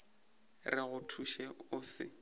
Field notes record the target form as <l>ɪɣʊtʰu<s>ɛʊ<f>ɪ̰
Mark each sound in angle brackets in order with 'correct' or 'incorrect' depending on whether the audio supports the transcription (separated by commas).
incorrect, incorrect, incorrect